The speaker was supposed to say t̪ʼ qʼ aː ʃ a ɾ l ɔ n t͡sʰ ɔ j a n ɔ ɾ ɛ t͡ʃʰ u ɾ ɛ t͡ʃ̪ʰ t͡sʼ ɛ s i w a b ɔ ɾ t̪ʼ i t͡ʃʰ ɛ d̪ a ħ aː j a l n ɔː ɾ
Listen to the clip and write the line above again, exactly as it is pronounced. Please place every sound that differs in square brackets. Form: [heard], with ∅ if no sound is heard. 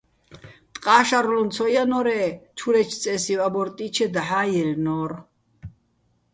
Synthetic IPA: t̪ʼ qʼ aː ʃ a ɾ l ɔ n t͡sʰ ɔ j a n ɔ ɾ ɛ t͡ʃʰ u ɾ ɛ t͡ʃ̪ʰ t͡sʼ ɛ s i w a b ɔ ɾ t̪ʼ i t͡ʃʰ ɛ d̪ a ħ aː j [ɛ] l n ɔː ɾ